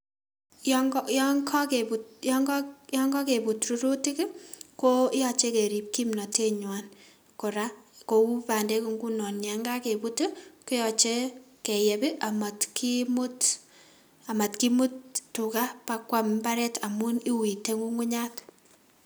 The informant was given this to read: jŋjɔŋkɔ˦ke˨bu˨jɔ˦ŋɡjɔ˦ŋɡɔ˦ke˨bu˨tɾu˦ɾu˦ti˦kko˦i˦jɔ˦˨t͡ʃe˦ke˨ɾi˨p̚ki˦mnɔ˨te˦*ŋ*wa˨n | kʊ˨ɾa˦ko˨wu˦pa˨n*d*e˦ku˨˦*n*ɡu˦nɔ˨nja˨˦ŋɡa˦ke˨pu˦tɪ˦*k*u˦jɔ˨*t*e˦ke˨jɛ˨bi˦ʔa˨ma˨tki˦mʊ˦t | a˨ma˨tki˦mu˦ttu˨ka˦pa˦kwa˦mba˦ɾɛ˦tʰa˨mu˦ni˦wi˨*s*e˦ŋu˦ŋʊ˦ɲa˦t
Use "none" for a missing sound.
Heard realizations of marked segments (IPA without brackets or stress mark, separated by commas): ɲ, d, ŋ, k, t͡ʃ, t